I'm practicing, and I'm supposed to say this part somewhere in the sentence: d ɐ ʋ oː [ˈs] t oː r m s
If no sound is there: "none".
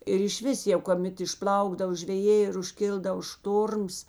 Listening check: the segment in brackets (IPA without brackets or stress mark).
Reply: ʃ